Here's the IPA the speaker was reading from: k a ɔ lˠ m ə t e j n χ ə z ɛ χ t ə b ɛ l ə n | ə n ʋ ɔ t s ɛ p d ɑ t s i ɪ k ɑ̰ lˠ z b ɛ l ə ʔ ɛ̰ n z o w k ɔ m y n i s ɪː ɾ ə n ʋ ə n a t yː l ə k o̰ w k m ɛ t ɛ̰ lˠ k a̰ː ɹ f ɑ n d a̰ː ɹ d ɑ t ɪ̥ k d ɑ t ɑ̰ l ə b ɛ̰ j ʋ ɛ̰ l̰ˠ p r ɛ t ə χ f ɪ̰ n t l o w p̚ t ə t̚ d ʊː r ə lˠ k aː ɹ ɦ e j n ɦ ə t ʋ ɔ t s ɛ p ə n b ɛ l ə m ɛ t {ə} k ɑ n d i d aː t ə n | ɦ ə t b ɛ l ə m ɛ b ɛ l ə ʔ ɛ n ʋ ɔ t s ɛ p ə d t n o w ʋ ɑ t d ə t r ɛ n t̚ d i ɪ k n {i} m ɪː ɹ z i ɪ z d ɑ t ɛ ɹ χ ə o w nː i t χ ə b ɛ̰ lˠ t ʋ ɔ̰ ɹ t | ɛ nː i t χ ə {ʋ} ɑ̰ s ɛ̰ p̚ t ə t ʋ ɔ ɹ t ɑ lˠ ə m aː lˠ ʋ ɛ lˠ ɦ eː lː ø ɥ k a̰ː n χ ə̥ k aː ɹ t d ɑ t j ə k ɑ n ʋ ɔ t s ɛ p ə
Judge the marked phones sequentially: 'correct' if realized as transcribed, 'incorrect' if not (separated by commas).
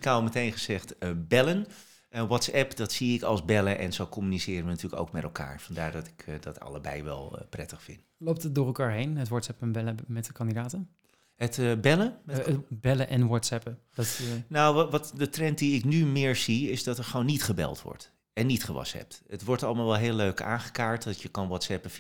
correct, incorrect, correct